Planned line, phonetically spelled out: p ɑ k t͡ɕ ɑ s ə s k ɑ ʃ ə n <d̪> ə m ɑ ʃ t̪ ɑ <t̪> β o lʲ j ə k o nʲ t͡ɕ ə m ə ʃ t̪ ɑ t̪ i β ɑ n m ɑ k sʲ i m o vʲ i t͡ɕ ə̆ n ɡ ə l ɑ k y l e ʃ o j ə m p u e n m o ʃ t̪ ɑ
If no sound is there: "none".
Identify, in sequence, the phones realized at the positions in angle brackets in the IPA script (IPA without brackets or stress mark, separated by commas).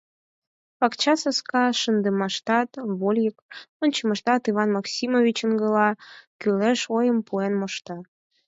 d̪, t̪